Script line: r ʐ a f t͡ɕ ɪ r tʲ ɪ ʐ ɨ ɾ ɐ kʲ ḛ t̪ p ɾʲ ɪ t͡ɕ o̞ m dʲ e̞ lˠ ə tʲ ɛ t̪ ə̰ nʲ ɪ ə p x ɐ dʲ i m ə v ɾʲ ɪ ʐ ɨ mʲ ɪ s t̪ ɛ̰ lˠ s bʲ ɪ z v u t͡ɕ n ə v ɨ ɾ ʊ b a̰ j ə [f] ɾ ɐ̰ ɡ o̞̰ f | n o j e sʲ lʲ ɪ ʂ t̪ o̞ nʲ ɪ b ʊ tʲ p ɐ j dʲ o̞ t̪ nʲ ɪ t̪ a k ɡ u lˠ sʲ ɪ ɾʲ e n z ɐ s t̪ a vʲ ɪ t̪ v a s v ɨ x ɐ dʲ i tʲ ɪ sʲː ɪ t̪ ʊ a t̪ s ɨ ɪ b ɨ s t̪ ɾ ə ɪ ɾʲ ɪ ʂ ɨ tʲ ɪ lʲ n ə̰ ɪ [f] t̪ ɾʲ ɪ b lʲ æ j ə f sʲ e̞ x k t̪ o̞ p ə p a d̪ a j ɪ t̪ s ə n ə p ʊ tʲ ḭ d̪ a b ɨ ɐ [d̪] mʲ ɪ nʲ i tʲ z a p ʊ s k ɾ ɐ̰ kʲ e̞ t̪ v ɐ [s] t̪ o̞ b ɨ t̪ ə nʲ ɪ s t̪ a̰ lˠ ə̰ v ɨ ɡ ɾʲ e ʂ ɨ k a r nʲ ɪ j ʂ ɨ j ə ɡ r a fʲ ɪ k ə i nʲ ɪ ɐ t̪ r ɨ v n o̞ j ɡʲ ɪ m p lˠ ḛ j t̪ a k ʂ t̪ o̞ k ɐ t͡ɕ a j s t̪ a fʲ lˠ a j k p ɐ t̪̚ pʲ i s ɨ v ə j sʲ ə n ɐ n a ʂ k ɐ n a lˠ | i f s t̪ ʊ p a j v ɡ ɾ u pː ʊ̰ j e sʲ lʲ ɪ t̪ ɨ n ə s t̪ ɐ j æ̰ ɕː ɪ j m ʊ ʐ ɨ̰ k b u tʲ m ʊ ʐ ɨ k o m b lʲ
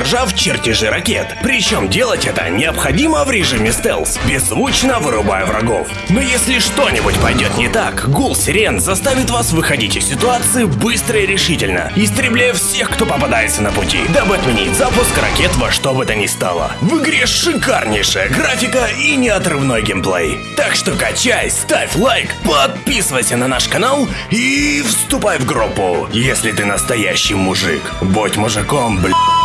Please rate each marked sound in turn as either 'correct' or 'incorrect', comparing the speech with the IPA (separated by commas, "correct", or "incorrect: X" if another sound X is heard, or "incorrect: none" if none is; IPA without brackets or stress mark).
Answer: incorrect: v, incorrect: s, incorrect: t̪, incorrect: ʂ